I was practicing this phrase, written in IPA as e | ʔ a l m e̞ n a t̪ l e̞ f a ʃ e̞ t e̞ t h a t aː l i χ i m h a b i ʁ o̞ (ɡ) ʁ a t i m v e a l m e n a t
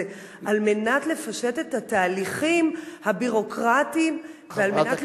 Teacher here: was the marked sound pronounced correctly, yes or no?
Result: no